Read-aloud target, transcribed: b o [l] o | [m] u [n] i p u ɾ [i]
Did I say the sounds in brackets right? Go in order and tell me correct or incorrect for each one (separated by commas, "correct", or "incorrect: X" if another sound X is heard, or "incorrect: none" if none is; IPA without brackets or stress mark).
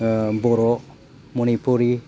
incorrect: ɾ, correct, correct, correct